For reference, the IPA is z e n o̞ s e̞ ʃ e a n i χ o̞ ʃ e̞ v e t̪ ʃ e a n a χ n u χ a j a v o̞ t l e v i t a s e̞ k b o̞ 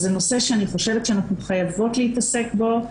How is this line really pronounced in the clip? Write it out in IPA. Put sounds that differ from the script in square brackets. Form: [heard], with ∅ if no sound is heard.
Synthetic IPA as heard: z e n o̞ s e̞ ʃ e a n i χ o̞ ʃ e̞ v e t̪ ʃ e a n a χ n u χ a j a v o̞ t l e [∅] i t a s e̞ k b o̞